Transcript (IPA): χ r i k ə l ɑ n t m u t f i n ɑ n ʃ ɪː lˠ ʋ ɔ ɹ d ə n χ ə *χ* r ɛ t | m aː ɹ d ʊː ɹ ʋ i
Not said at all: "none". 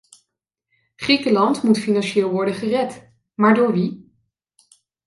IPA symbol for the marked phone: none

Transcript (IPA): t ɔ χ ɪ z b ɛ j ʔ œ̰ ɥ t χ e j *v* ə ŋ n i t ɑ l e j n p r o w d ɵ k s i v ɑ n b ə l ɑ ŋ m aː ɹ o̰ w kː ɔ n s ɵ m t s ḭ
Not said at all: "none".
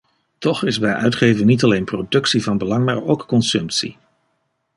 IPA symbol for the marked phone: v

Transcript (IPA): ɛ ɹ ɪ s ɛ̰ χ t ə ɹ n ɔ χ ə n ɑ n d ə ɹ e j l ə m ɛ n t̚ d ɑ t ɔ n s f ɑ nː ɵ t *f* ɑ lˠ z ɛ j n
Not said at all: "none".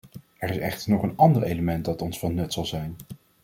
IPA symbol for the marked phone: s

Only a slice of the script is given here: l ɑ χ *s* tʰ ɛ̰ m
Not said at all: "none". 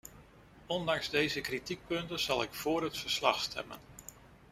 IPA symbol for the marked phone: s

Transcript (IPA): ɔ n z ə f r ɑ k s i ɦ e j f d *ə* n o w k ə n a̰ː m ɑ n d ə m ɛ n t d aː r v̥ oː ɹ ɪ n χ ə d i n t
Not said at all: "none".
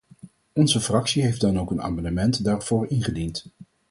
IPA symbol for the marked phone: ɑ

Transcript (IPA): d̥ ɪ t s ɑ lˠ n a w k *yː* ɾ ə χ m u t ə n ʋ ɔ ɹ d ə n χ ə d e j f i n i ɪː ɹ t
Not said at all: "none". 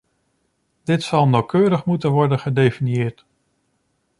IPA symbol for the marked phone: øː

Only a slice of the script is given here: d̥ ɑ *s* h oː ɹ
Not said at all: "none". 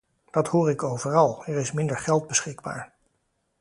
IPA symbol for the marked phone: t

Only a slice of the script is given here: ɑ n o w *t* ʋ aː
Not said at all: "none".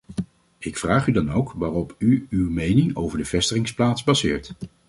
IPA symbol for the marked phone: k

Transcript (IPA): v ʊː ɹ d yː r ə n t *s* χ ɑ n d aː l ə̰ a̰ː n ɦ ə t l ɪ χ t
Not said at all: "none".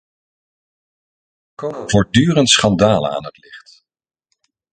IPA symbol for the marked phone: s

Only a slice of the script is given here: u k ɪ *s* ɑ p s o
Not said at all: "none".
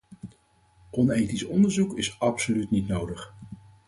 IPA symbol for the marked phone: s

